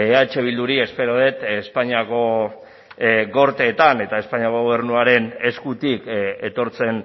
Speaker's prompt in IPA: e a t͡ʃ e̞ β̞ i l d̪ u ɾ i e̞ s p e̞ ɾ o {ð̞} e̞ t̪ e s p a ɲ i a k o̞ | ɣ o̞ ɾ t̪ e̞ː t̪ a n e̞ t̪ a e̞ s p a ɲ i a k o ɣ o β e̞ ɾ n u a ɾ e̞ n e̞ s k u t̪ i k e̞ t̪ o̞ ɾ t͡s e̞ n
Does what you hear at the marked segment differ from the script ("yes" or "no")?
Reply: no